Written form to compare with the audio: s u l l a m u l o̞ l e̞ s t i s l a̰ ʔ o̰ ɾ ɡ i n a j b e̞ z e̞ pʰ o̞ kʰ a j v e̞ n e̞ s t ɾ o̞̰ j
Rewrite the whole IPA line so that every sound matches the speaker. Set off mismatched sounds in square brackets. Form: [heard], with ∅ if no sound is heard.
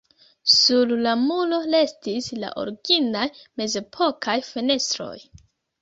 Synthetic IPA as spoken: s u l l a m u l o̞ l e̞ s t i s l a̰ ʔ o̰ ɾ ɡ i n a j [m] e̞ z e̞ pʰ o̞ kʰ a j [f] e̞ n e̞ s t ɾ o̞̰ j